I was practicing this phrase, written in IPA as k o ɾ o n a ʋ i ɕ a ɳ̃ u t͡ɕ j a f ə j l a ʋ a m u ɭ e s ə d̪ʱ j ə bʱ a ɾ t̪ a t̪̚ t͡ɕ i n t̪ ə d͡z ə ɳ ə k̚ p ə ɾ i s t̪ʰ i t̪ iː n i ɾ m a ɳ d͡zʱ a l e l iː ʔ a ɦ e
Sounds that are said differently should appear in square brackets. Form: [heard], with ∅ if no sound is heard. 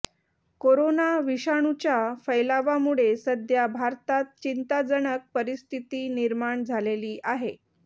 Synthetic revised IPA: k o ɾ o n a ʋ i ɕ a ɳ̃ u t͡ɕ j a f ə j l a ʋ a m u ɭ e s ə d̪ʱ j [a] bʱ a ɾ t̪ a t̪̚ t͡ɕ i n t̪ [a] d͡z ə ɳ ə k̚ p ə ɾ i s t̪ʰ i t̪ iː n i ɾ m a ɳ d͡zʱ a l e l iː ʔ a ɦ e

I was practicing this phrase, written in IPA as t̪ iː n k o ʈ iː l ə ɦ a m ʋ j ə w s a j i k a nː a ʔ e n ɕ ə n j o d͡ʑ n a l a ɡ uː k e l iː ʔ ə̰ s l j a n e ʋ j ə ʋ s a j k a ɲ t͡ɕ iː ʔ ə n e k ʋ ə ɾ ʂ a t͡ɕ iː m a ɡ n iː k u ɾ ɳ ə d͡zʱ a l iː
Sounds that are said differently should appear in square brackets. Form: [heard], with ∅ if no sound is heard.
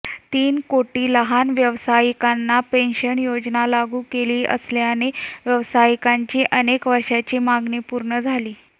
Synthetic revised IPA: t̪ iː n k o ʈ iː l ə ɦ a [n] ʋ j ə [ʋ] s a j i k a nː a [p] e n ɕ ə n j o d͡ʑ n a l a ɡ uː k e l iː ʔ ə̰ s l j a n e ʋ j ə ʋ s a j k a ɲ t͡ɕ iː ʔ ə n e k ʋ ə ɾ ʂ a t͡ɕ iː m a ɡ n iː [p] u ɾ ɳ ə d͡zʱ a l iː

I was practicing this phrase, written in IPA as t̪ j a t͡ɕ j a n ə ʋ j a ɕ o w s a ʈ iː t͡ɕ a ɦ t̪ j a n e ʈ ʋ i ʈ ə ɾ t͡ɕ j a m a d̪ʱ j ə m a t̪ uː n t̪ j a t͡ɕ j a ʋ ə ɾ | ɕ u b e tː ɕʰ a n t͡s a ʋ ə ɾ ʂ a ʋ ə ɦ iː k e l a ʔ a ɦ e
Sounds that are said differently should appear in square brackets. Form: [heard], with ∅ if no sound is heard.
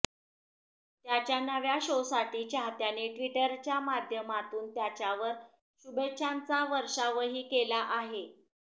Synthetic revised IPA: t̪ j a t͡ɕ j a n ə ʋ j a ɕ o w s a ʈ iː t͡ɕ a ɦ t̪ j a n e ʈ ʋ i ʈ ə ɾ t͡ɕ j a m a d̪ʱ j ə m a t̪ uː n t̪ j a t͡ɕ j a ʋ ə ɾ | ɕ u b e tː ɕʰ a n t͡s a ʋ ə ɾ ʂ a ʋ ə ɦ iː k e l a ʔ a ɦ e

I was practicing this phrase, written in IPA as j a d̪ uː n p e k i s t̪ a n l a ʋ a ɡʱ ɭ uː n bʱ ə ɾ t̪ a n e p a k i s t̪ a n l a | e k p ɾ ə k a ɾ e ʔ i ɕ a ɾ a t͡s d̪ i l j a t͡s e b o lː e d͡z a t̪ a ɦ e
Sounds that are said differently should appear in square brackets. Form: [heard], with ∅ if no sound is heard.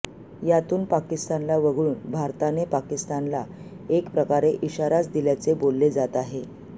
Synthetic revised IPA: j a [t̪] uː n p [a] k i s t̪ a n l a ʋ [ə] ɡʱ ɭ uː n bʱ [a] ɾ t̪ a n e p a k i s t̪ a n l a | e k p ɾ ə k a ɾ e ʔ i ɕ a ɾ a t͡s d̪ i l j a t͡s e b o lː e d͡z a t̪ a ɦ e

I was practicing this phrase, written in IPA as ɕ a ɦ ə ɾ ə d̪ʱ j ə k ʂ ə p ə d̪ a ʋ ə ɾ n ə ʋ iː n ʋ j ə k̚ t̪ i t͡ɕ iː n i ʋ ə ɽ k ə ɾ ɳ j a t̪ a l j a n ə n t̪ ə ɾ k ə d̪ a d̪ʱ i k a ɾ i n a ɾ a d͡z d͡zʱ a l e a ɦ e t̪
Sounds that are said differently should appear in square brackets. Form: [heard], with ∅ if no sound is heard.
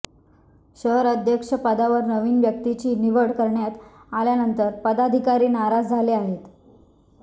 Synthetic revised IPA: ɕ [ə] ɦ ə ɾ ə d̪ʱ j ə k ʂ ə p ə d̪ a ʋ ə ɾ n ə ʋ iː n ʋ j ə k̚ t̪ i t͡ɕ iː n i ʋ ə ɽ k ə ɾ ɳ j a t̪ a l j a n ə n t̪ ə ɾ [p] ə d̪ a d̪ʱ i k a ɾ [iː] n a ɾ a d͡z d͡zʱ a l e a ɦ e t̪

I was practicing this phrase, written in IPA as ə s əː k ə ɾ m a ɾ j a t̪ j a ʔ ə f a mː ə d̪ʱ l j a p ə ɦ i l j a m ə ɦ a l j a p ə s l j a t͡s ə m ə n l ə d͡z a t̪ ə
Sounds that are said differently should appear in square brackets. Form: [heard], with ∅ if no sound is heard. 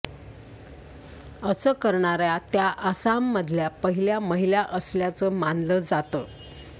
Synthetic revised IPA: ə s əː k ə ɾ [ɳ] a ɾ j a t̪ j a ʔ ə [s] a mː ə d̪ʱ l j a p ə ɦ i l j a m ə ɦ [i] l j a [ʔ] ə s l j a t͡s ə m [a] n l ə d͡z a t̪ ə

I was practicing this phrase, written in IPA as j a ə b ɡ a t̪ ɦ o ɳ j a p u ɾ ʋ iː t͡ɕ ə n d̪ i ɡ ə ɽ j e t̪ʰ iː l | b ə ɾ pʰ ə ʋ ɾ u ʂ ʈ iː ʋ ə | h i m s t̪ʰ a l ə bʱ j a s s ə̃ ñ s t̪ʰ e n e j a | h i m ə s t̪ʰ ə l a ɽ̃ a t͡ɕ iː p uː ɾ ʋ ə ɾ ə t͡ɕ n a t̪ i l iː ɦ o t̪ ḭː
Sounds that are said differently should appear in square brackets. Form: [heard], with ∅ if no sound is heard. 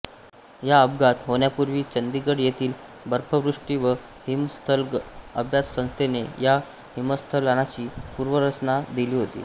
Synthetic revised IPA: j a ə b ɡ a t̪ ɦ o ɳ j a p u ɾ ʋ iː t͡ɕ ə n d̪ i ɡ ə ɽ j e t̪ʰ iː l | b ə ɾ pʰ ə ʋ ɾ u ʂ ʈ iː ʋ ə | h i m s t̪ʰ [ə] l ə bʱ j a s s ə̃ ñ s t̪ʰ e n e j a | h i m ə s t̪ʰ ə l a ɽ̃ a t͡ɕ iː p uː ɾ ʋ ə ɾ ə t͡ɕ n a [d̪] i l iː ɦ o t̪ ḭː

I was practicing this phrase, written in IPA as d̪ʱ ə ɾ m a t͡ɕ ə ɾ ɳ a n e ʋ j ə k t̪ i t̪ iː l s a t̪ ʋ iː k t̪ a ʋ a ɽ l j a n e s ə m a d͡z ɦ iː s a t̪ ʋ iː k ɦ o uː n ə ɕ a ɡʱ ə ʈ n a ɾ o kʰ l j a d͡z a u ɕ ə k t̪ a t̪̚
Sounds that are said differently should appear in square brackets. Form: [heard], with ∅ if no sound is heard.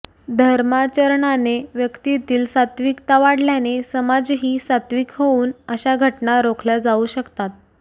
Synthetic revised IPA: d̪ʱ ə ɾ m a t͡ɕ ə ɾ ɳ a n e ʋ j ə k t̪ i t̪ iː l s a t̪ ʋ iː k t̪ a ʋ a ɽ l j a n e s ə m a d͡z ɦ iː s a t̪ ʋ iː k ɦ o uː n ə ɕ a ɡʱ ə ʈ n a ɾ o kʰ l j a d͡z a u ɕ ə k t̪ a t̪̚

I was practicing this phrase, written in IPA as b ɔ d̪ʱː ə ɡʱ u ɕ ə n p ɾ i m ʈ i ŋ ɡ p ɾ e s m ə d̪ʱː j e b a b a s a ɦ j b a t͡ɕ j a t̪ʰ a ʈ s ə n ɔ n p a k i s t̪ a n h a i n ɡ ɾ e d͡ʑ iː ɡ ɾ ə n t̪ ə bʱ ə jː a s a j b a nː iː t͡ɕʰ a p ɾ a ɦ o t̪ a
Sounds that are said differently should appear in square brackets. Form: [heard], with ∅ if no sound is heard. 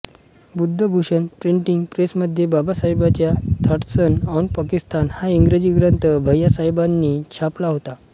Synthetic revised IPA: b [u] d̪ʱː ə [bʱ] u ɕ ə n p ɾ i [ɳ] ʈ i ŋ ɡ p ɾ e s m ə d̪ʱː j e b a b a s a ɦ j b a t͡ɕ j a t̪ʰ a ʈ s ə n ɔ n p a k i s t̪ a n h a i [ŋ] ɡ ɾ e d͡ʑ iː ɡ ɾ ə n t̪ ə bʱ ə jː a s a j b a nː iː t͡ɕʰ a p [l] a ɦ o t̪ a

